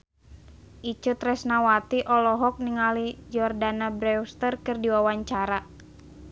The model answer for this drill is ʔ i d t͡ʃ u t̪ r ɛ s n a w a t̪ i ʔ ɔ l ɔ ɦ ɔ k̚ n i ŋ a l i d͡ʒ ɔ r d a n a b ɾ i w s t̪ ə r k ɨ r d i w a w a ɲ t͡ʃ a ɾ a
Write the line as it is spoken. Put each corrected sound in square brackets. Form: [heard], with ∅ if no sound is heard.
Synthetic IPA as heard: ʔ i [∅] t͡ʃ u t̪ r ɛ s n a w a t̪ i ʔ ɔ l ɔ ɦ ɔ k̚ n i ŋ a l i d͡ʒ ɔ r d a n a b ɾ [ɛ] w s t̪ ə r k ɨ r d i w a w a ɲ t͡ʃ a ɾ a